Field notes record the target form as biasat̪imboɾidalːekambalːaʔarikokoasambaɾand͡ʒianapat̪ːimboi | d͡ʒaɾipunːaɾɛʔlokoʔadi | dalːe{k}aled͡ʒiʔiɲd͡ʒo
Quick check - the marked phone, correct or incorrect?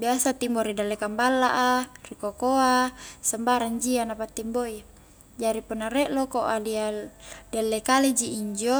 correct